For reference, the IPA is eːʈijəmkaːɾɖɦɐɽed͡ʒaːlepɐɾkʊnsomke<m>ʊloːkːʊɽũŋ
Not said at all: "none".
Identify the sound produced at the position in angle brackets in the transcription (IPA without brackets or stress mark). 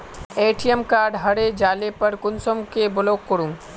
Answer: b